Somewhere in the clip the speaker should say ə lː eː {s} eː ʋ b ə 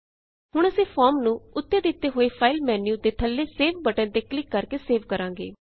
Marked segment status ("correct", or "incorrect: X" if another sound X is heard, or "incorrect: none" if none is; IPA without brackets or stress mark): correct